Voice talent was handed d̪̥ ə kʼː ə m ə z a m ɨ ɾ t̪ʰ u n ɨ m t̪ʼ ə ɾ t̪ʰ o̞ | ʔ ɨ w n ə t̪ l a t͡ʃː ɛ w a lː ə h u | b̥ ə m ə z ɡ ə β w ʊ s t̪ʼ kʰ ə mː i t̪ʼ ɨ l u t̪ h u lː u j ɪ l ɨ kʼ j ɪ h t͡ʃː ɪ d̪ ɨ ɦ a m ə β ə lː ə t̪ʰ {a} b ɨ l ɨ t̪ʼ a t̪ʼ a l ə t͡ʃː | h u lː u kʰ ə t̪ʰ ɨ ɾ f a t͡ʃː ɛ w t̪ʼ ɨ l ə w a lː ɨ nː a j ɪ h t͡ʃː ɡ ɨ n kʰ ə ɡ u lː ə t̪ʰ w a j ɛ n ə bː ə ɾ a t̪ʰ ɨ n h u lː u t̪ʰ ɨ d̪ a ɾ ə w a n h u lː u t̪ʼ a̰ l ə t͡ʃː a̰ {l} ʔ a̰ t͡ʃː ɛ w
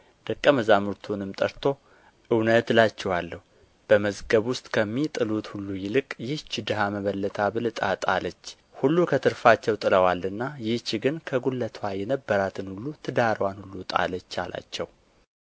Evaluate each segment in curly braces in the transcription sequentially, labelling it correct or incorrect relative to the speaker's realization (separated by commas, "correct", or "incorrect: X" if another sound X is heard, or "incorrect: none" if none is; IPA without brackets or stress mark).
correct, correct